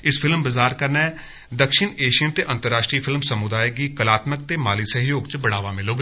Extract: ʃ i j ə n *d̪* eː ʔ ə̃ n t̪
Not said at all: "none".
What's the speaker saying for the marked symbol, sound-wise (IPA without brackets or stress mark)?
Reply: t̪